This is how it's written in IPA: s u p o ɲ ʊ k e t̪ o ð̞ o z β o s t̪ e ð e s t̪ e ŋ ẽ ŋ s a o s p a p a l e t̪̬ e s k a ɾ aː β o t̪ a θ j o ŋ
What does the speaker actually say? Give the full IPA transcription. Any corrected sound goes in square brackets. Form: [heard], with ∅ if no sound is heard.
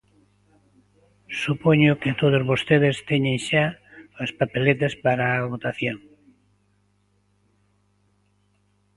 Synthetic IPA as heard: s u p o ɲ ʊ k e t̪ o ð̞ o z β o s t̪ e ð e s t̪ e [ɲ] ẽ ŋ [ʃ] a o s p a p [e] l e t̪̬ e s [p] a ɾ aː β o t̪ a θ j o ŋ